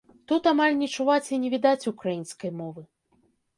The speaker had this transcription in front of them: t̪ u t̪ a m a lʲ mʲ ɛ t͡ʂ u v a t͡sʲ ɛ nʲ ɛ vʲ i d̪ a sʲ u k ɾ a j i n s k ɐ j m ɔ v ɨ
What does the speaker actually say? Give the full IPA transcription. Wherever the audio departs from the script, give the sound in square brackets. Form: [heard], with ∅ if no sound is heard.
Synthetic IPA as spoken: t̪ u t̪ a m a lʲ [nʲ] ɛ t͡ʂ u v a t͡sʲ [i] nʲ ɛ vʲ i d̪ a [t͡sʲ] u k ɾ a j i n s k ɐ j m ɔ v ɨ